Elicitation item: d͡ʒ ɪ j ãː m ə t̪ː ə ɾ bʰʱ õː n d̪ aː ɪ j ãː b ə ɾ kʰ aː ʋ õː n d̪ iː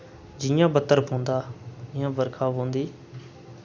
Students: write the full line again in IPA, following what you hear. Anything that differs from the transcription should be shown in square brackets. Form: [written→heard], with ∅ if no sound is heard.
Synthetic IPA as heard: d͡ʒ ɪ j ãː [m→b] ə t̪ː ə ɾ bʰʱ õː n d̪ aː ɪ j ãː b ə ɾ kʰ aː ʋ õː n d̪ iː